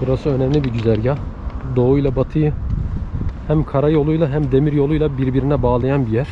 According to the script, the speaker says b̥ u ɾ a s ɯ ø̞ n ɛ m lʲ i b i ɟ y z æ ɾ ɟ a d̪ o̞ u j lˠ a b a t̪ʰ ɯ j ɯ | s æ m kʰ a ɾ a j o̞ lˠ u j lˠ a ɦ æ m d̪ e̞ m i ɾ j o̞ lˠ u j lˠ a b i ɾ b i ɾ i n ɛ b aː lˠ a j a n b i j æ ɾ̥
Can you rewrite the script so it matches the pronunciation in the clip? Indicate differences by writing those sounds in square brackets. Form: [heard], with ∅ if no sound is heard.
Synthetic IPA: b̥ u ɾ a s ɯ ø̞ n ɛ m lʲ i b i ɟ y z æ ɾ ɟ a d̪ o̞ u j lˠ a b a t̪ʰ ɯ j ɯ | [h] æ m kʰ a ɾ a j o̞ lˠ u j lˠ a ɦ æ m d̪ e̞ m i ɾ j o̞ lˠ u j lˠ a b i ɾ b i ɾ i n ɛ b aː lˠ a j a n b i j æ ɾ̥

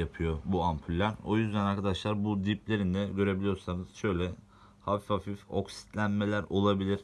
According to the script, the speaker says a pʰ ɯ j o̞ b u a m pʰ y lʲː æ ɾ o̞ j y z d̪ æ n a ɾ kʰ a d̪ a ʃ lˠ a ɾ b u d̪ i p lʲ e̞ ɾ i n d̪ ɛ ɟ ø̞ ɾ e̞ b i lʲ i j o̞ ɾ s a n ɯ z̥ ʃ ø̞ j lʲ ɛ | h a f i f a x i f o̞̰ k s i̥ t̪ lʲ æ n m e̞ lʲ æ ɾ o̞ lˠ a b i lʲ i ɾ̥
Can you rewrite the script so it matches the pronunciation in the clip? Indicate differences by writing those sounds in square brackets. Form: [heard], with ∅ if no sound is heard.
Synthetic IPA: a pʰ ɯ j o̞ b u a m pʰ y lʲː æ ɾ o̞ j y z d̪ æ n a ɾ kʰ a d̪ a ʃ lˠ a ɾ b u d̪ i p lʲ e̞ ɾ i n d̪ ɛ ɟ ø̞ ɾ e̞ b i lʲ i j o̞ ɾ s a n ɯ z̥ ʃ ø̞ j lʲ ɛ | h a f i f a [f] i f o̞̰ k s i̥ t̪ lʲ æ n m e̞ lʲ æ ɾ o̞ lˠ a b i lʲ i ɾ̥

